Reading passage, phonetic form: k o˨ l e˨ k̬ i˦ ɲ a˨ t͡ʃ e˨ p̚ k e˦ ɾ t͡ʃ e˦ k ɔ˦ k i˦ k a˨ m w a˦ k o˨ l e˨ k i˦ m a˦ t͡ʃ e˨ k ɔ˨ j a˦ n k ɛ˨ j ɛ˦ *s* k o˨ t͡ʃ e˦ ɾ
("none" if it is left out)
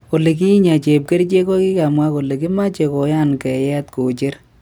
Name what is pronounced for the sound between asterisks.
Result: t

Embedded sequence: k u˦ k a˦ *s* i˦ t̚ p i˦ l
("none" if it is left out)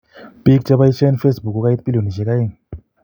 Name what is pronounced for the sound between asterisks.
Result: none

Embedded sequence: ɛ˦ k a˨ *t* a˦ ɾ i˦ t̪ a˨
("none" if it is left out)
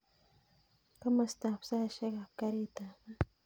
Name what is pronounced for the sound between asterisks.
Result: k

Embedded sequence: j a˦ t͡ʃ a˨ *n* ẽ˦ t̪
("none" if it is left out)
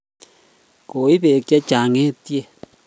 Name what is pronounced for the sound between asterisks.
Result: ŋ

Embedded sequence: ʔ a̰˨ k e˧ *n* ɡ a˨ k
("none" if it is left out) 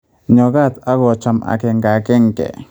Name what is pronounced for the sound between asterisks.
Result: ŋ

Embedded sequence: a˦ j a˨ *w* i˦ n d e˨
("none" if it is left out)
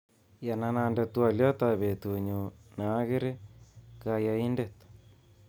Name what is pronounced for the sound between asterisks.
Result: none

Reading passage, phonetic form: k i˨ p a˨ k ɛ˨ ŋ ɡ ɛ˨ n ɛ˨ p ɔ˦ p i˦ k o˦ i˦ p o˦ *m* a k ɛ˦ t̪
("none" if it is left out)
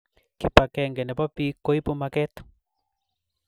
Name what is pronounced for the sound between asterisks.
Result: m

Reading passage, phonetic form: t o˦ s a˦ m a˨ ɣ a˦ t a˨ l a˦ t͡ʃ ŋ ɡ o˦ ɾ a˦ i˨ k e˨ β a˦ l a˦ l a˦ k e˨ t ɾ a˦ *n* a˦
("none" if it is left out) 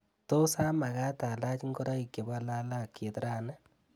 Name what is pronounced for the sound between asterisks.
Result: n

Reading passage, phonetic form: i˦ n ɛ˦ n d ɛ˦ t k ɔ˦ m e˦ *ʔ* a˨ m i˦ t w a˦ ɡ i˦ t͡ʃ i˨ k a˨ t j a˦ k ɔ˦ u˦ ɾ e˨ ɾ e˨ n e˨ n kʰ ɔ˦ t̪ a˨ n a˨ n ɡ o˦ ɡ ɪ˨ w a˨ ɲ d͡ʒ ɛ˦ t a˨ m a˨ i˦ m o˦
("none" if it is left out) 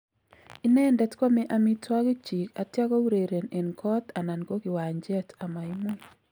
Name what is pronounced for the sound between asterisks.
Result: ʔ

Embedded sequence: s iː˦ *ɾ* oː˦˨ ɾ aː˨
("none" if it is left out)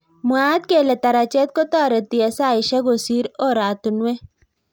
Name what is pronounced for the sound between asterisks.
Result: ɾ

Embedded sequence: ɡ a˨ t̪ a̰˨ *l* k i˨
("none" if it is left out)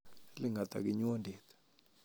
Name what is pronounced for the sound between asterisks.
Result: none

